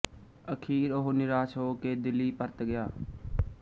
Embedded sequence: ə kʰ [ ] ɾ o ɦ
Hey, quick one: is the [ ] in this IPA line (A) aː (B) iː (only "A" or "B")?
B